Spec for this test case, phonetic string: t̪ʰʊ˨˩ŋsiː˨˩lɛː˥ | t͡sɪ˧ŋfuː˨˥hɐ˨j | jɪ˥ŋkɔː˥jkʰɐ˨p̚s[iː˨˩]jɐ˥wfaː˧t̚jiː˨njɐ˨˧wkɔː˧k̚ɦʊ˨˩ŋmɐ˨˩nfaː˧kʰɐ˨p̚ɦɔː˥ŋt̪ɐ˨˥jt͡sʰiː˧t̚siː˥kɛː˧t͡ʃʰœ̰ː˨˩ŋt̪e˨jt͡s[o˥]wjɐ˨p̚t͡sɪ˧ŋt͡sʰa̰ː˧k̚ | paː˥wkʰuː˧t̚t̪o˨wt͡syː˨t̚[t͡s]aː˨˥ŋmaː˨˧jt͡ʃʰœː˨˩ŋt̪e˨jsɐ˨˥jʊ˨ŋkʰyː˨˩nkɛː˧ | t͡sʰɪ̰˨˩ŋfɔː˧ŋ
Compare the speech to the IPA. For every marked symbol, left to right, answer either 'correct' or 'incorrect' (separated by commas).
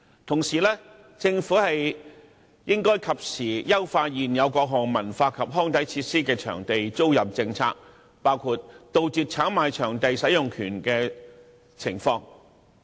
correct, correct, incorrect